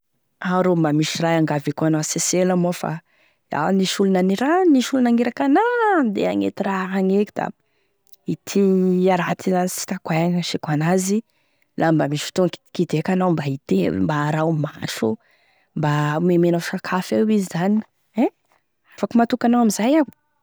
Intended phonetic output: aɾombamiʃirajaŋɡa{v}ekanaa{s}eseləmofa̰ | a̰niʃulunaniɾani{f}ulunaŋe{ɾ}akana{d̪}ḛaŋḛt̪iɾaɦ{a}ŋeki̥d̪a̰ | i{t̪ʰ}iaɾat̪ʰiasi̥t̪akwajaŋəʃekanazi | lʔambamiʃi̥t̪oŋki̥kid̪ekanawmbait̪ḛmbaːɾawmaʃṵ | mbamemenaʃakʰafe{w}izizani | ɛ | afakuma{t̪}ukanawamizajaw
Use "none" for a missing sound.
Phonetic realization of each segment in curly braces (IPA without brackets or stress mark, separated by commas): v, s, ʃ, ɾ, d̪, a, t̪ʰ, w, t̪